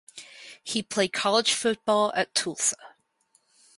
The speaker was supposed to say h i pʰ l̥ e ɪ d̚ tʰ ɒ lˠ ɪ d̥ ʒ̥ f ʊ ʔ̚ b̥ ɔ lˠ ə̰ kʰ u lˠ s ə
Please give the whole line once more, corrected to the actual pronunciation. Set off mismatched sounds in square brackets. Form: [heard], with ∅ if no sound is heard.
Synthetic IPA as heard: h i pʰ l̥ e ɪ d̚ [kʰ] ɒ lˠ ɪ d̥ ʒ̥ f ʊ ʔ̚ b̥ ɔ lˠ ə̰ [tʰ] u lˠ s ə